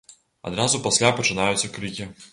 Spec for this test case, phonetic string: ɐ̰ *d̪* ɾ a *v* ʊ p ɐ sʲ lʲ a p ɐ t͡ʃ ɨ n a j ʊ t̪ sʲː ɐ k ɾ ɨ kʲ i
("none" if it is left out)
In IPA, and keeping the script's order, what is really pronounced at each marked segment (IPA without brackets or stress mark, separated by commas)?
d̪, z